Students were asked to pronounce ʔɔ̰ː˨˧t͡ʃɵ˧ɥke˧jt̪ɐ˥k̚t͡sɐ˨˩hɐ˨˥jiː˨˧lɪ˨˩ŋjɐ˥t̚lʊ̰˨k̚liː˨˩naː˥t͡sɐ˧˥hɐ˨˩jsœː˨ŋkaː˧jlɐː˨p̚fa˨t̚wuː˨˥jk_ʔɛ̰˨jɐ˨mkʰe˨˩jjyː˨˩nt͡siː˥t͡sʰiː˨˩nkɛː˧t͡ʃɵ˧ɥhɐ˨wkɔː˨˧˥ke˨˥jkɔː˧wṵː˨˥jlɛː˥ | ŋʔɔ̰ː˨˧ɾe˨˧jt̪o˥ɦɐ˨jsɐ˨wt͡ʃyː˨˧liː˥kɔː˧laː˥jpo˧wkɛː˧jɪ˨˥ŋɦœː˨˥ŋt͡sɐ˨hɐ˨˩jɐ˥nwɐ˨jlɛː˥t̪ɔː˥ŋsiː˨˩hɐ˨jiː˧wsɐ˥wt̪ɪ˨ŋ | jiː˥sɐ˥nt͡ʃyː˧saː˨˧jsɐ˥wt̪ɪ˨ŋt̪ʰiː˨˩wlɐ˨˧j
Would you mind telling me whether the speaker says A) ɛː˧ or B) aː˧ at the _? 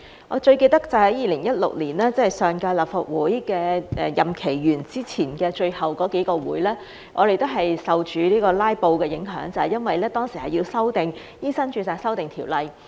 A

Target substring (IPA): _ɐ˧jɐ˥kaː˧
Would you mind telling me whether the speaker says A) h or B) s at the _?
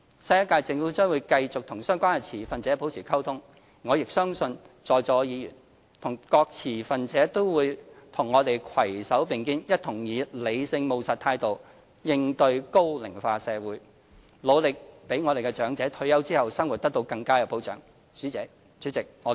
B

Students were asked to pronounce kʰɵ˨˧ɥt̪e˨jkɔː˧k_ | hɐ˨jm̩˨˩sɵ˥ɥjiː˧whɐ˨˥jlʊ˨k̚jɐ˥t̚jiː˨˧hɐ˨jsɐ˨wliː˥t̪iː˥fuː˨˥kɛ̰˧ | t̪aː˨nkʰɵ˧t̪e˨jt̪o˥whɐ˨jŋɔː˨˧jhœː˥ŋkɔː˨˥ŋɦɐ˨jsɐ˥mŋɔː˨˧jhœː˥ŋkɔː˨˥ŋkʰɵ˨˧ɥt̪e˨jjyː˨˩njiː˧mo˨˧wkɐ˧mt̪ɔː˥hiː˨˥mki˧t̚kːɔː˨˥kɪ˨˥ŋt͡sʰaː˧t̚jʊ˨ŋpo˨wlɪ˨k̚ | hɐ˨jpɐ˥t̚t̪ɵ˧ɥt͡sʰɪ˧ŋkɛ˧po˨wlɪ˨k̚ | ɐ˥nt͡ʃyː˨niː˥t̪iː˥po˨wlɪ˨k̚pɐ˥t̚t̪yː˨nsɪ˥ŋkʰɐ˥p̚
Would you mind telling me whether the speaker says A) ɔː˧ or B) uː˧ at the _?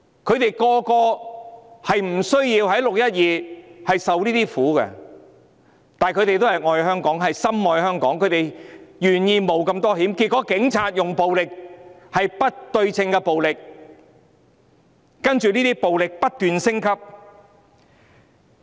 A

